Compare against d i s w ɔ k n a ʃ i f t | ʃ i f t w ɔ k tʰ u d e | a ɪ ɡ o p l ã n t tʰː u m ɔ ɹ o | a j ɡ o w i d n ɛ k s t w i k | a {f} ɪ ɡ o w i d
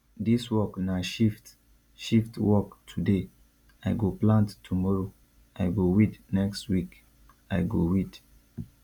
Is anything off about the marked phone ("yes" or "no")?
yes